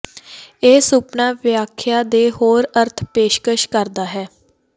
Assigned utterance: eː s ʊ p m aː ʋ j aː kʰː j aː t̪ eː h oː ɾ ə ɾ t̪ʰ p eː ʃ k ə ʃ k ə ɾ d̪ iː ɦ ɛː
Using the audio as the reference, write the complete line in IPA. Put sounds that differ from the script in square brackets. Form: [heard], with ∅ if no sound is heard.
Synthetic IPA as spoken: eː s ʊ p [n] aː ʋ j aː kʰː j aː [d̪] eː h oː ɾ ə ɾ t̪ʰ p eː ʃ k ə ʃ k ə ɾ d̪ [aː] ɦ ɛː